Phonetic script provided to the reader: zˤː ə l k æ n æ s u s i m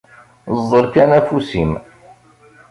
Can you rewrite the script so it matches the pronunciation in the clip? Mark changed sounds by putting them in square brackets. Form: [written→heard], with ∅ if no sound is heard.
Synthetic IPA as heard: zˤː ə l k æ n æ [s→f] u s i m